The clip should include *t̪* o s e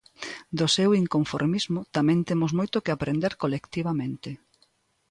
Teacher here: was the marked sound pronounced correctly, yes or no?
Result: no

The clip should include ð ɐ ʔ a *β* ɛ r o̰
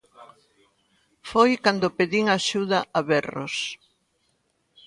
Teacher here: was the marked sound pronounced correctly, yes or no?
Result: yes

